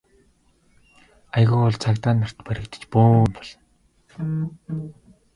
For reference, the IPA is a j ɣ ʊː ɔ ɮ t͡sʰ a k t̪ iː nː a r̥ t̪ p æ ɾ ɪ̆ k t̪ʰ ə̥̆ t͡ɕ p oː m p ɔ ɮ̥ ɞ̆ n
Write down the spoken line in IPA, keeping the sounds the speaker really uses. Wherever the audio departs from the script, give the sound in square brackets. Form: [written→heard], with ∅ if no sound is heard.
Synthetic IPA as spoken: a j ɣ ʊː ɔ ɮ t͡sʰ a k t̪ [iː→aː] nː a r̥ t̪ p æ ɾ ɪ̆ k [t̪ʰ→t̪] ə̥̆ t͡ɕ p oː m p ɔ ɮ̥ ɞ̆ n